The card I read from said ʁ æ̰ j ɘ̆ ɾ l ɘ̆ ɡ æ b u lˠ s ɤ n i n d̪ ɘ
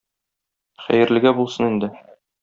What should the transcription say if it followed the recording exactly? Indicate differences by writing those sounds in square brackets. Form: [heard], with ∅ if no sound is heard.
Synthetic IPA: [χ] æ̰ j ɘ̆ ɾ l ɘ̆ ɡ æ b u lˠ s ɤ n i n d̪ ɘ

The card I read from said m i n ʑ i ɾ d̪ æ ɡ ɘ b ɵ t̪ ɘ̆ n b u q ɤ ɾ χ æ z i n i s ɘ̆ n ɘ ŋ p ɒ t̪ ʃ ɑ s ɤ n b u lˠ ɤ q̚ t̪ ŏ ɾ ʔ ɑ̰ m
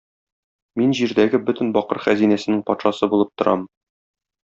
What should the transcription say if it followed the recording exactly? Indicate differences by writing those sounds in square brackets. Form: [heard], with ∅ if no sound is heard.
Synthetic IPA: m i n ʑ i ɾ d̪ æ ɡ ɘ b ɵ t̪ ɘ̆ n b [ɒ] q ɤ ɾ χ æ z i n [æ] s ɘ̆ n ɘ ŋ p ɒ t̪ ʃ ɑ s ɤ [∅] b u lˠ ɤ [p̚] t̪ ŏ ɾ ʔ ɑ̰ m

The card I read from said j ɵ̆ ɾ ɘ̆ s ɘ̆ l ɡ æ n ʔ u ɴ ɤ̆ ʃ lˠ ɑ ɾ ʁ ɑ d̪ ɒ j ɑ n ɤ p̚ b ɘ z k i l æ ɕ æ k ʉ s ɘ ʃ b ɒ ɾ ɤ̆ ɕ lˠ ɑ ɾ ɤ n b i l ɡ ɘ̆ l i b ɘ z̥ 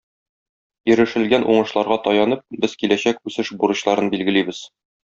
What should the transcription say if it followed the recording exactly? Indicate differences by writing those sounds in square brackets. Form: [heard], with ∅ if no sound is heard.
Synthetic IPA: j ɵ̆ ɾ ɘ̆ [ʃ] ɘ̆ l ɡ æ n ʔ u ɴ ɤ̆ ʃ lˠ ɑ ɾ ʁ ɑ [t̪] ɒ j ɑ n ɤ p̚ b ɘ z k i l æ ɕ æ k ʉ s ɘ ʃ b [u] ɾ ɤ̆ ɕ lˠ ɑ ɾ ɤ n b i l ɡ ɘ̆ l i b ɘ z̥

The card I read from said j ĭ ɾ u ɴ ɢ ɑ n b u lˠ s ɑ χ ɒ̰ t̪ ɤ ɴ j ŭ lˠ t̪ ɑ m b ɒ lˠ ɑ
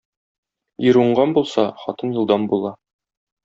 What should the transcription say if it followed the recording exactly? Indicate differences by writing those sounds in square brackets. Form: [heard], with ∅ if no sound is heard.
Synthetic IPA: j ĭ ɾ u ɴ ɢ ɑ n b u lˠ s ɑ χ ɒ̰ t̪ ɤ [n] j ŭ lˠ [d̪] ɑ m b [u] lˠ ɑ

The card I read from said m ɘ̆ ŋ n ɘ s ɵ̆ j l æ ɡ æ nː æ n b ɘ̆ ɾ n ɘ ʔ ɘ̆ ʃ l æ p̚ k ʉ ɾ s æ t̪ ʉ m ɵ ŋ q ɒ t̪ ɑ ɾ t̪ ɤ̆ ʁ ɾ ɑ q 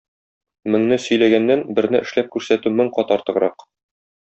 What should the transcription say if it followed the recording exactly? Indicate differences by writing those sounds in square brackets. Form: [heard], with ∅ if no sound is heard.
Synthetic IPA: m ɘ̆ ŋ n ɘ s ɵ̆ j l æ ɡ æ nː æ n b ɘ̆ ɾ n ɘ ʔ ɘ̆ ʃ l æ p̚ k ʉ ɾ s æ t̪ ʉ m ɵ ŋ q ɒ t̪ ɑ ɾ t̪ ɤ̆ ʁ ɾ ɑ q

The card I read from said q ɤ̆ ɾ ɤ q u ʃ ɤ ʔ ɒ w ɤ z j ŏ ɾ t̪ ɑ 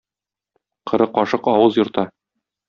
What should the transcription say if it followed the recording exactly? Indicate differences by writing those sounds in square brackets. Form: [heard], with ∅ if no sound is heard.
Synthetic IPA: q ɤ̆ ɾ ɤ q [ɒ] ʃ ɤ [q] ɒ w ɤ z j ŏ ɾ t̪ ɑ

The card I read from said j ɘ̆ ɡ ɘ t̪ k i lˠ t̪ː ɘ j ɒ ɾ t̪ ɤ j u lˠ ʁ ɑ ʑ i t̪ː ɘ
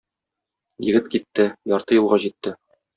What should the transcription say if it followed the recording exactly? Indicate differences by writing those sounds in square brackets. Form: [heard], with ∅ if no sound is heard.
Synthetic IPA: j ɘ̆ ɡ ɘ t̪ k i [∅] t̪ː ɘ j ɒ ɾ t̪ ɤ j u lˠ ʁ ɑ ʑ i t̪ː ɘ

